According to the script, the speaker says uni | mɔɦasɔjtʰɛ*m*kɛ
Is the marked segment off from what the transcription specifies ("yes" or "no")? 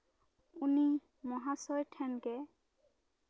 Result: yes